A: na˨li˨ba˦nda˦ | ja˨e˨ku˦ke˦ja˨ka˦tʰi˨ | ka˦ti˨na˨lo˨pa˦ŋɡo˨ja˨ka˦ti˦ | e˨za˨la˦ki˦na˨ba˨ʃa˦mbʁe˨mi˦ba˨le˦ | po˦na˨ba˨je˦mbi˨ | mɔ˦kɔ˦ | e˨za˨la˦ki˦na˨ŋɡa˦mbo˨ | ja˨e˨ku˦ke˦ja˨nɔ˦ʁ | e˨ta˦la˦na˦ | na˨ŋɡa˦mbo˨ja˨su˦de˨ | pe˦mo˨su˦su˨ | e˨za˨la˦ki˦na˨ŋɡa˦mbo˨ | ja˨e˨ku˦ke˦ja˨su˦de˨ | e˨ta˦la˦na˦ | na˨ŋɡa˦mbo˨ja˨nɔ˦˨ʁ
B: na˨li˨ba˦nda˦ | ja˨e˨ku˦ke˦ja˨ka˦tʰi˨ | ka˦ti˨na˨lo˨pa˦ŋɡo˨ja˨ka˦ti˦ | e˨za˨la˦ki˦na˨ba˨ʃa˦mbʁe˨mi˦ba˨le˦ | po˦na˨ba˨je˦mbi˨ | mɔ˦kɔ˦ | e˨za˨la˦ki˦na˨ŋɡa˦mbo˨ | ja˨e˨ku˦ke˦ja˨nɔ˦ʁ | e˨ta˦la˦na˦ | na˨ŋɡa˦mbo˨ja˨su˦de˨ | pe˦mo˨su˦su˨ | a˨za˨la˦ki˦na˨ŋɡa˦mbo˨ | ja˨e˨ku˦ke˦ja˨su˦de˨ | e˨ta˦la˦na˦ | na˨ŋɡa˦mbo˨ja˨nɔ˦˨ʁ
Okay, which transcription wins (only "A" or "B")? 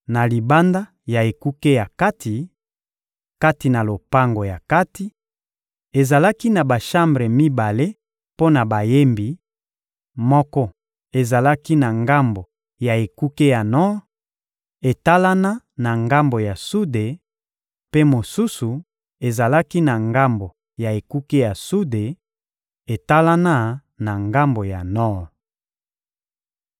A